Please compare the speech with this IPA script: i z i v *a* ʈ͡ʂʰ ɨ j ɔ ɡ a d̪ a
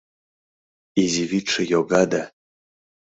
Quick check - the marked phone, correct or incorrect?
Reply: incorrect